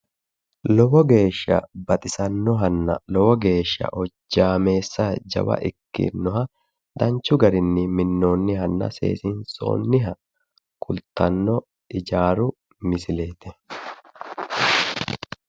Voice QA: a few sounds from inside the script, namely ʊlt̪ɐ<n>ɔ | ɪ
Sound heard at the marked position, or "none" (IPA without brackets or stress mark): nː